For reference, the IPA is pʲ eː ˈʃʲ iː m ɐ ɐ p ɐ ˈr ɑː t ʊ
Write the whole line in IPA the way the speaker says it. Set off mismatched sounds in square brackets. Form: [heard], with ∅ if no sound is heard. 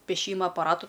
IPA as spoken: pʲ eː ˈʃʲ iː m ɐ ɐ p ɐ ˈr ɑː t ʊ